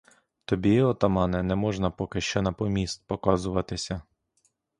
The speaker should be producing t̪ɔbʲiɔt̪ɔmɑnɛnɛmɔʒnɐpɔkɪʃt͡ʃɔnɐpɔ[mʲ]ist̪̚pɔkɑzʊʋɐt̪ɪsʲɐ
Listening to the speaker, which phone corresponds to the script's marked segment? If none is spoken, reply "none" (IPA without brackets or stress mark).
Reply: mʲ